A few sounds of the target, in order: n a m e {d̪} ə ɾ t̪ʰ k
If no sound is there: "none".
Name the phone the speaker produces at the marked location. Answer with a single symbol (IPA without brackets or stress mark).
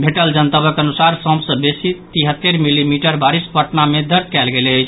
d̪